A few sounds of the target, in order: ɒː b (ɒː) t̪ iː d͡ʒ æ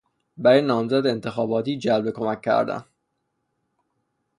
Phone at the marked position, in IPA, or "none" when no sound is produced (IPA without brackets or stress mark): ɒː